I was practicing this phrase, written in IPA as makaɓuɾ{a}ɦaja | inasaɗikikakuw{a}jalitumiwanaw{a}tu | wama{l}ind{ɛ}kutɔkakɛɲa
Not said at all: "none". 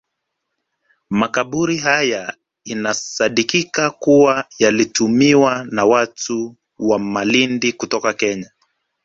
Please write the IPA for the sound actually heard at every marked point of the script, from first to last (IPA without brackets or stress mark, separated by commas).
i, a, a, l, i